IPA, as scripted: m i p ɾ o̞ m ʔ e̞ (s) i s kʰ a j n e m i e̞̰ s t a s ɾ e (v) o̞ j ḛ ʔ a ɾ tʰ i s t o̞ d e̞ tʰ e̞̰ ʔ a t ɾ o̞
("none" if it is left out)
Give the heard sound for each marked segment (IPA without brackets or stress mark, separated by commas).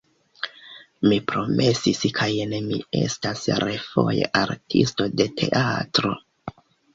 s, f